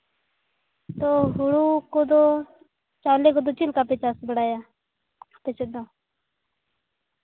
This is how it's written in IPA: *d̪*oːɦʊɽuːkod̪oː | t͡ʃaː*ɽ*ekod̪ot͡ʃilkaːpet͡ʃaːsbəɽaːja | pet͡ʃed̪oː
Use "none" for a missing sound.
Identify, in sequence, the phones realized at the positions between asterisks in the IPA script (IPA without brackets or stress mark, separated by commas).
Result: t̪, l